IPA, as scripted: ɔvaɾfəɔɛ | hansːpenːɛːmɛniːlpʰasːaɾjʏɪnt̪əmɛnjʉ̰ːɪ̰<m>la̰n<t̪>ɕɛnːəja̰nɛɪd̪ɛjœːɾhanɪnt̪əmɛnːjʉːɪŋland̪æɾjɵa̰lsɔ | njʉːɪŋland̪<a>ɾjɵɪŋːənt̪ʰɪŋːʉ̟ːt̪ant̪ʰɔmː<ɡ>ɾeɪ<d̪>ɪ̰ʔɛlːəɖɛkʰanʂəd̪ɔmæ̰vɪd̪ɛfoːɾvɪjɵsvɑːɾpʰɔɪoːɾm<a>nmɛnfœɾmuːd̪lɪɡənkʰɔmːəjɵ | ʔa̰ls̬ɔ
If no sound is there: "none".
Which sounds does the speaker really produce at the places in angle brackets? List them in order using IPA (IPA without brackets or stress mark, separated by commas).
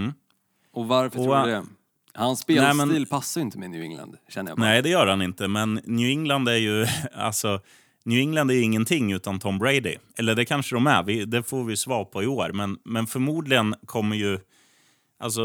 ŋ, d̪, æ, b, d̪, ɛ